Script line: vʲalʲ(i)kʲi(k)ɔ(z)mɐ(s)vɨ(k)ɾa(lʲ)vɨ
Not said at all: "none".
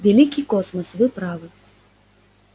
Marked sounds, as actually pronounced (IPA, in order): i, k, s, s, p, none

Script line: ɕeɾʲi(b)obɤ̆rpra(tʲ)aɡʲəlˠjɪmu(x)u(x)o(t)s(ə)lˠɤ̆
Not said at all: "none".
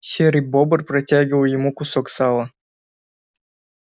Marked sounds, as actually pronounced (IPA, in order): b, tʲ, k, s, k, ɑ

